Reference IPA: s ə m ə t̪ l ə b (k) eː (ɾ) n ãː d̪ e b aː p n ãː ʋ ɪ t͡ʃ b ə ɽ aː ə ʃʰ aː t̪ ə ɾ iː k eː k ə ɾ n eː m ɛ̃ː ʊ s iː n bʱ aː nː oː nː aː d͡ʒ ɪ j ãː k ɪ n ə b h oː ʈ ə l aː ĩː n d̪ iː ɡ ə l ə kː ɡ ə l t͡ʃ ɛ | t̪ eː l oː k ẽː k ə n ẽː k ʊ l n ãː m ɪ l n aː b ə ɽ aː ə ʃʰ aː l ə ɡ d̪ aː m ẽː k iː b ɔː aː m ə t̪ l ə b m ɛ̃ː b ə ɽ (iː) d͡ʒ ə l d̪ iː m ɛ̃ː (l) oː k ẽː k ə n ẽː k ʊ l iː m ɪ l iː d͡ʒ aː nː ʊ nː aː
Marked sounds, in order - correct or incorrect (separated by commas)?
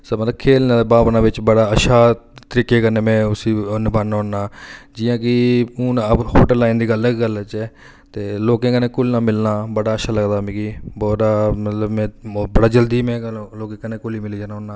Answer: incorrect, incorrect, incorrect, correct